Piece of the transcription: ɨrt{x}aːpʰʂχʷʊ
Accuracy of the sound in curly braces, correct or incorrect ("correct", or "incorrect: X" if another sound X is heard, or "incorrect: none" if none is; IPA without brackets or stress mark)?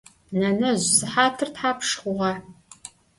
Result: incorrect: ħ